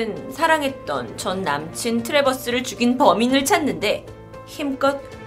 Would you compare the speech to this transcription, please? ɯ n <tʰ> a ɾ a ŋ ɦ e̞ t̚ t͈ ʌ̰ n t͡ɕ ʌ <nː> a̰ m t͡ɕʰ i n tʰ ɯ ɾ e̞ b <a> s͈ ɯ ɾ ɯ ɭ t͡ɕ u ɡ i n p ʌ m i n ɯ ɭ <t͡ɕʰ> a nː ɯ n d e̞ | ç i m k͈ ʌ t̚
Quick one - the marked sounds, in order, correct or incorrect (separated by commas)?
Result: incorrect, correct, incorrect, correct